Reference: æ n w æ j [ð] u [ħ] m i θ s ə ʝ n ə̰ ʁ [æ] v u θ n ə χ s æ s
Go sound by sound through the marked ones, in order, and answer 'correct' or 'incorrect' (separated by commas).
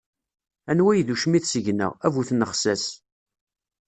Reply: correct, incorrect, correct